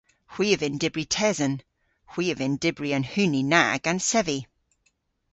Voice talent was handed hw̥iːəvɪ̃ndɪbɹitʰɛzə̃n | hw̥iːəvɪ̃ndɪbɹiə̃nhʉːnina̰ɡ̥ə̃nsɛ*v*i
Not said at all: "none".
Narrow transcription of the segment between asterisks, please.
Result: v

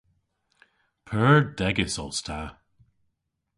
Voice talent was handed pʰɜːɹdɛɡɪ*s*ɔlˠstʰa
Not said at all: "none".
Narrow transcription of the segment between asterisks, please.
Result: s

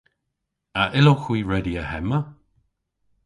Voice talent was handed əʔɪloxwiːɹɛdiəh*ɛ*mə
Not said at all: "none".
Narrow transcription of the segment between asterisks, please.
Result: ɛ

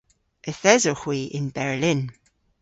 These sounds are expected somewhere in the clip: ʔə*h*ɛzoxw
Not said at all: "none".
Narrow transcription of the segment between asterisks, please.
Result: θ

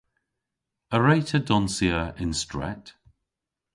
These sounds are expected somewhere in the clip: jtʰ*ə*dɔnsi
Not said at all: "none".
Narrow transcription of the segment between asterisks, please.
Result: ə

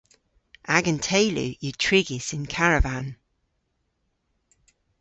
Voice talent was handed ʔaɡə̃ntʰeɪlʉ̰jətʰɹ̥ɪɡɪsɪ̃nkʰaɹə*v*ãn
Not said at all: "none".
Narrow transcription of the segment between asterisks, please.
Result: v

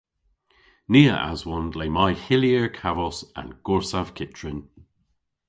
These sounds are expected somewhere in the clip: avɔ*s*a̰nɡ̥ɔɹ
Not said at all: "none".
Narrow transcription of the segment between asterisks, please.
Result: s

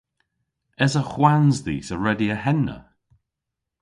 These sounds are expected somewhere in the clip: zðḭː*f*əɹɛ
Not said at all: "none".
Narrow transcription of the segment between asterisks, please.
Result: s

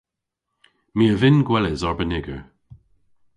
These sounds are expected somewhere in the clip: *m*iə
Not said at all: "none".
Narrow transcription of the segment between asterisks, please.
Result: m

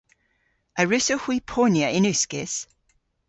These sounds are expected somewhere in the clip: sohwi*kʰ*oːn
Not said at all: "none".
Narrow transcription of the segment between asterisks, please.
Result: pʰ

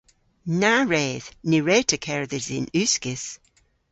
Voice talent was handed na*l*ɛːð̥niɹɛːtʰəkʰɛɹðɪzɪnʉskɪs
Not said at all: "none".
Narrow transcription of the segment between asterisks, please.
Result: ɹ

